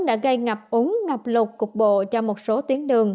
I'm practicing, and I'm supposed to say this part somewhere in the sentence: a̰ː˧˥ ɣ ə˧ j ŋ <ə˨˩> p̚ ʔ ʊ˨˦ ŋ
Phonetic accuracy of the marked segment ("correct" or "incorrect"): incorrect